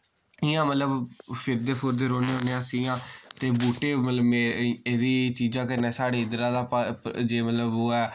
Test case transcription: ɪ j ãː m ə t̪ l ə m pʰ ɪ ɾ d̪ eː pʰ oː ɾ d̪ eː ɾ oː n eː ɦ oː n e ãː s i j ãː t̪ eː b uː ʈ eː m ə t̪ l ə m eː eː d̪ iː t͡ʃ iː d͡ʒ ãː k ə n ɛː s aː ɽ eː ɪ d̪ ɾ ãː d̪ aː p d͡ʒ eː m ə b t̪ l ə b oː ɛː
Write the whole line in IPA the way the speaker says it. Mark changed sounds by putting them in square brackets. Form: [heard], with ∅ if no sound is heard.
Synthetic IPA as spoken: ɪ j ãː m ə t̪ l ə [b] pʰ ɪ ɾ d̪ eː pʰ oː ɾ d̪ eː ɾ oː n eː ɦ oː n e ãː s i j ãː t̪ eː b uː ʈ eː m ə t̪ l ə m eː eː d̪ iː t͡ʃ iː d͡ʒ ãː k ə n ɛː s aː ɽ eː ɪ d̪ ɾ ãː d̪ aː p d͡ʒ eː m ə [∅] t̪ l ə b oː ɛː